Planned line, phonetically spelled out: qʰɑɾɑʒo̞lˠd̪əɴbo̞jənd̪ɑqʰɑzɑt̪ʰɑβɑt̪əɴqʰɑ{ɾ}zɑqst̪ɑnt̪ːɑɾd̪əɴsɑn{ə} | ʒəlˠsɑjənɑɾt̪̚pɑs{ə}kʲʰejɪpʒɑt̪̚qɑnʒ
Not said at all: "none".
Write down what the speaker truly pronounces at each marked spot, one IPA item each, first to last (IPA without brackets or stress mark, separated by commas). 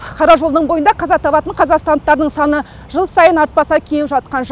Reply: none, ə, ɑ